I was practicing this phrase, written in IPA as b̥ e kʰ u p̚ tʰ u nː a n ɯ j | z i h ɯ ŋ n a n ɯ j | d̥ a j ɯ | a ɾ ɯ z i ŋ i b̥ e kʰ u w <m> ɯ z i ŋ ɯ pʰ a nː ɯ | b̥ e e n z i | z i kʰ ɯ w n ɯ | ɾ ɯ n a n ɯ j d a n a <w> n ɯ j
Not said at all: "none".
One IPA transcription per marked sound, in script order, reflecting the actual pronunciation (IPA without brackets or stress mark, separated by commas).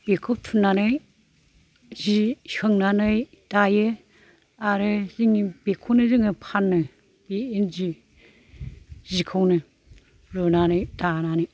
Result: n, none